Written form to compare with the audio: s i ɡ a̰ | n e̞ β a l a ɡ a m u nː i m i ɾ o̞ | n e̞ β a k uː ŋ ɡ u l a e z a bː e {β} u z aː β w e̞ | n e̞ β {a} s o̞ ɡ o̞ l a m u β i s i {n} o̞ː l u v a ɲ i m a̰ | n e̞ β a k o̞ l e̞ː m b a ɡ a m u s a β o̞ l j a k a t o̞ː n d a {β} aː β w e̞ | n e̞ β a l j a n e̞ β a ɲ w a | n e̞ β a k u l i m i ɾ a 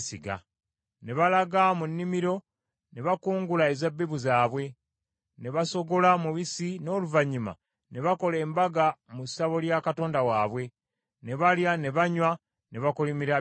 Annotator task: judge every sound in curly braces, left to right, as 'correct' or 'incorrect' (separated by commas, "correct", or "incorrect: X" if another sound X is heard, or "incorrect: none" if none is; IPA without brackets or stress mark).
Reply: correct, correct, correct, incorrect: w